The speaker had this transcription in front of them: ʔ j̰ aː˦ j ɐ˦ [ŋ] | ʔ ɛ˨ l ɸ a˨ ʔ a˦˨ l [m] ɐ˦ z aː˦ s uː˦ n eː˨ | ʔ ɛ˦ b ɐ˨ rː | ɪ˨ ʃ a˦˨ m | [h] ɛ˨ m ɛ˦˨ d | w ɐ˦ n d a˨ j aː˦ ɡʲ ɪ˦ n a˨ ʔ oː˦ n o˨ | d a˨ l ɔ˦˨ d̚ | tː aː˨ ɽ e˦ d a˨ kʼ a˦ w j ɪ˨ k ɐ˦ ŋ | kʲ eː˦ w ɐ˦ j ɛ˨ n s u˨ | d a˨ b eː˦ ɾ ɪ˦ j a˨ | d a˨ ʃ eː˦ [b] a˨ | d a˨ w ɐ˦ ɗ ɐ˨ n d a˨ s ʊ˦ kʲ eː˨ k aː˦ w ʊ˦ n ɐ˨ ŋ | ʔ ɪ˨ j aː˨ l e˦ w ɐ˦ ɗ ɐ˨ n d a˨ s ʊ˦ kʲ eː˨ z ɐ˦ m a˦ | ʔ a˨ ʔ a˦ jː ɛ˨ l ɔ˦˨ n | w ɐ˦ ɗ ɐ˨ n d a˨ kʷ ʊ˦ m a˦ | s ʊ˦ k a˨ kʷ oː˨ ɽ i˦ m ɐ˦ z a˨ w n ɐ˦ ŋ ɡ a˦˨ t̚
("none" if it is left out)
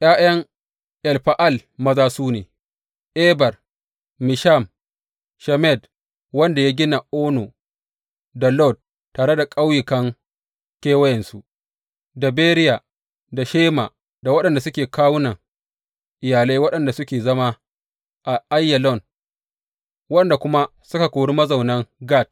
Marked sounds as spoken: ŋ, m, ʃ, m

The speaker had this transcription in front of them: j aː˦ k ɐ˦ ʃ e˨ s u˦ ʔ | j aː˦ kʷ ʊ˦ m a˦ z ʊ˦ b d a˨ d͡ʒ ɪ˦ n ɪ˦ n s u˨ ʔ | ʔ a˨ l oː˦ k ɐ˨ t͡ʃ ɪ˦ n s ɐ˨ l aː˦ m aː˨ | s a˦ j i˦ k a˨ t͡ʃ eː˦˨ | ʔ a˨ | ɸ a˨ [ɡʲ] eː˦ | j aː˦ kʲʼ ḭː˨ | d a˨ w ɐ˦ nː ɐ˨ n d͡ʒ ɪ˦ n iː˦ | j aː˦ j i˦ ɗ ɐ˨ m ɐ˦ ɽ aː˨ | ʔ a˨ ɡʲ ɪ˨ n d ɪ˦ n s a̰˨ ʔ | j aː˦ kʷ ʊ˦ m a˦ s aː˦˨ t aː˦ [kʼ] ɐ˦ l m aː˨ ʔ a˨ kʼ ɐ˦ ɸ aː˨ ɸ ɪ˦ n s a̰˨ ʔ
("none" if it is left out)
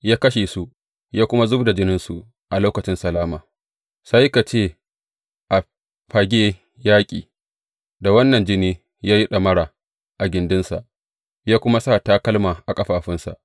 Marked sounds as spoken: ɡʲ, k

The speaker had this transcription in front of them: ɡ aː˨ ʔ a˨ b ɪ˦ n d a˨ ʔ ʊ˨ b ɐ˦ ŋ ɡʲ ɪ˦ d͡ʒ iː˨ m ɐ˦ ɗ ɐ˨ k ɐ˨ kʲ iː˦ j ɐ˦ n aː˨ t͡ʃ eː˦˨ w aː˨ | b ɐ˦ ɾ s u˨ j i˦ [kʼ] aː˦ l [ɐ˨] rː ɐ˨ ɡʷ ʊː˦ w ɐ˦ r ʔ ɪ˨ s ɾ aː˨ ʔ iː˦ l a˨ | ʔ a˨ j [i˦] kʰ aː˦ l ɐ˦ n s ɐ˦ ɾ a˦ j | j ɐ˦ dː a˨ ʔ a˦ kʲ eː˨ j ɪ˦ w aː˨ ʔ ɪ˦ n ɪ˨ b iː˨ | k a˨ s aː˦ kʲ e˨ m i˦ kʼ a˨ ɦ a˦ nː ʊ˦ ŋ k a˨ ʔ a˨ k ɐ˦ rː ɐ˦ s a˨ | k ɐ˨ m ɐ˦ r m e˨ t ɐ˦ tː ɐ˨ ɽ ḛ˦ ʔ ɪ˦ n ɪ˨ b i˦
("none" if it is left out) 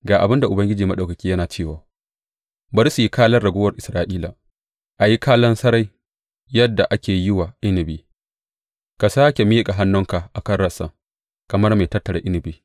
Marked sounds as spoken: k, ɐ˦, i˦

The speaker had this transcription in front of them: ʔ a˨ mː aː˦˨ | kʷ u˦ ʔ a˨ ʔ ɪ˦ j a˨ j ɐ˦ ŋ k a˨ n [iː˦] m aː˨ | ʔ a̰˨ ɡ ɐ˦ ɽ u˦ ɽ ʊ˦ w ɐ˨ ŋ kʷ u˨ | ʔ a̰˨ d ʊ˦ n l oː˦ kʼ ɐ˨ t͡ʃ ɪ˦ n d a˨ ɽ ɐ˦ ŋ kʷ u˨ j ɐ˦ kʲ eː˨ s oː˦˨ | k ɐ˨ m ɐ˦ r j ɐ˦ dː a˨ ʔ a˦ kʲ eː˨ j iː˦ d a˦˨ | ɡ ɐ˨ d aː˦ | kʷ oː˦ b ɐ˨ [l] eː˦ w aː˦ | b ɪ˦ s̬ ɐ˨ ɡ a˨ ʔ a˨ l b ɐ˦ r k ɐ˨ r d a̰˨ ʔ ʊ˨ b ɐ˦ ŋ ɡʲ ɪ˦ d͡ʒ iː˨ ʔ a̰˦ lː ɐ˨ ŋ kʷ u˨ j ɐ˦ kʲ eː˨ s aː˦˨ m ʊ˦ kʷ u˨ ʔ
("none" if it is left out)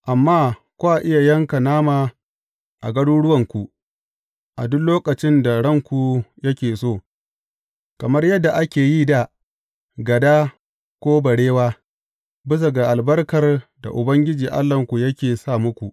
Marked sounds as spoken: aː˦, ɽ

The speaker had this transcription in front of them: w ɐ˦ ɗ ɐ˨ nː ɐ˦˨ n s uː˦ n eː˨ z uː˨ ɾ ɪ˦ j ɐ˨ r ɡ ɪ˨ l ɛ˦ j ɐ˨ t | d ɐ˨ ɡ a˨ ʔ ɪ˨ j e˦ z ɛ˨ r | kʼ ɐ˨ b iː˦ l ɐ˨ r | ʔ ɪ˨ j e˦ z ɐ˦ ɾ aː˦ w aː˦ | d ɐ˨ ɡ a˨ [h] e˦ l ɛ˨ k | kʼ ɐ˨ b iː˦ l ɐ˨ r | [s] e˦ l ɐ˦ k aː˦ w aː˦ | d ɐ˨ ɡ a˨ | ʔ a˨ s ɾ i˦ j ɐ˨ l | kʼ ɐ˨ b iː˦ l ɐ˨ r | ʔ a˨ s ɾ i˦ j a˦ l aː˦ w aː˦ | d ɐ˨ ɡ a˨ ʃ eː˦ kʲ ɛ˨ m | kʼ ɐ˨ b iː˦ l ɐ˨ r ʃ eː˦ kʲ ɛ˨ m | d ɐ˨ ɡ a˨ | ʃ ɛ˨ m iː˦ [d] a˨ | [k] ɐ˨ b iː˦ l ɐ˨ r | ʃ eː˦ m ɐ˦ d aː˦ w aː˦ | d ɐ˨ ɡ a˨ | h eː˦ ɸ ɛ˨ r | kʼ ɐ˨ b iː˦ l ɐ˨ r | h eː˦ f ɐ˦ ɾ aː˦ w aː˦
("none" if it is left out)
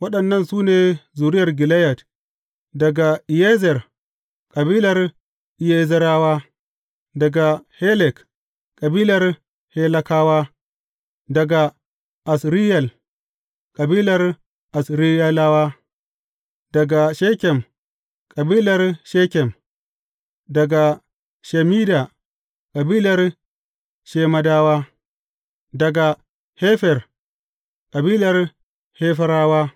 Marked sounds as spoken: h, h, d, kʼ

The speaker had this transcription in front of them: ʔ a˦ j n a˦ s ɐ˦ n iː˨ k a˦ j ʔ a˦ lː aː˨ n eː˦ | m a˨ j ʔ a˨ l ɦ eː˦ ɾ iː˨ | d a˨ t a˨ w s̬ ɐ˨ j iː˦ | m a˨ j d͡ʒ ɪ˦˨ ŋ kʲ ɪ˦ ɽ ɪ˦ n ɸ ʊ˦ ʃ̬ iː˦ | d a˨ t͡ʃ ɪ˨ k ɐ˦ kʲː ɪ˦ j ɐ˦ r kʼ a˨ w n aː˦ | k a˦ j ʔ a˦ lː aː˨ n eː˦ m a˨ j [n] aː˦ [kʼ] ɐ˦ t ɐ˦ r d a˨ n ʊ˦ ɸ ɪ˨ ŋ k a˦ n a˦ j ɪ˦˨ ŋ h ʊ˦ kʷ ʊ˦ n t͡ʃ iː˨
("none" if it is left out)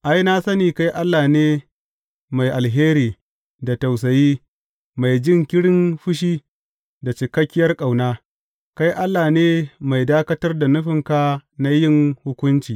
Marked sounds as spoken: d, k

